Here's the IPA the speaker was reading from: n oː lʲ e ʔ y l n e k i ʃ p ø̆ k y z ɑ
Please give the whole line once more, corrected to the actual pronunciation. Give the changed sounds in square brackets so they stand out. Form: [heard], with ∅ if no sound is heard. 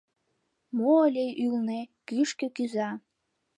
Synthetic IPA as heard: [m] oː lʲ e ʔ y l n e k [y] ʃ [k] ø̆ k y z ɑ